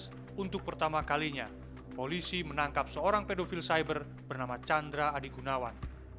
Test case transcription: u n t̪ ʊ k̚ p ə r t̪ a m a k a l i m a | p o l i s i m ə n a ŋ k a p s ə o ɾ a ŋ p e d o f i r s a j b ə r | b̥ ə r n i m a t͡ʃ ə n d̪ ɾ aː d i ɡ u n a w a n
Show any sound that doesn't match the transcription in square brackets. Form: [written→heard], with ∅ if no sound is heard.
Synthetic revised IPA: u n t̪ ʊ k̚ p ə r t̪ a m a k a l i [m→ɲ] a | p o l i s i m ə n a ŋ k a p s ə o ɾ a ŋ p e d o f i [r→l] s a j b ə r | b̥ ə r n [i→a] m a t͡ʃ [ə→a] n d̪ ɾ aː d i ɡ u n a w a n